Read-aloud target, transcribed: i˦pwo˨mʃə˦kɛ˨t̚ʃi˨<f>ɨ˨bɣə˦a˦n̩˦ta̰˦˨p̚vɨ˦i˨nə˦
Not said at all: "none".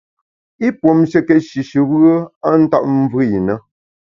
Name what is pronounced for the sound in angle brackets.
ʃ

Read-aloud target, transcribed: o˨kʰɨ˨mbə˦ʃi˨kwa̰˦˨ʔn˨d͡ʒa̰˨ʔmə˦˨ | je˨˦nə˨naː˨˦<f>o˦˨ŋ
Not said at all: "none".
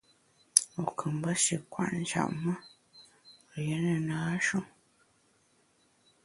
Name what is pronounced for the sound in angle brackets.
ʃ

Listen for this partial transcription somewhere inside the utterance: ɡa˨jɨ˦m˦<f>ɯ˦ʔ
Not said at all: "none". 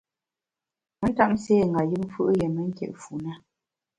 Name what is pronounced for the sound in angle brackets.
f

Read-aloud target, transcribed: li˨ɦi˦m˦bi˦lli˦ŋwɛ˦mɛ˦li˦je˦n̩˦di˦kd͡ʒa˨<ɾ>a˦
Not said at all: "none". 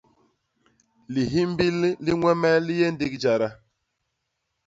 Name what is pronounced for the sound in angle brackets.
ɾ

